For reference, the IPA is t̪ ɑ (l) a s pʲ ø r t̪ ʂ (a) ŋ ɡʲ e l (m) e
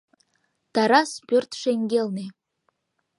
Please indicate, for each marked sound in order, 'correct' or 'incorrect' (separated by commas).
incorrect, incorrect, incorrect